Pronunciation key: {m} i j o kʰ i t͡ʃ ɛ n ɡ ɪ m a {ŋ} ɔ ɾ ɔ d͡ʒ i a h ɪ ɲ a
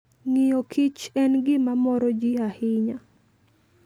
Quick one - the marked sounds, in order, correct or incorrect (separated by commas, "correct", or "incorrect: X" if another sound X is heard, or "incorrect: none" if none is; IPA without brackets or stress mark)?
incorrect: ŋ, incorrect: m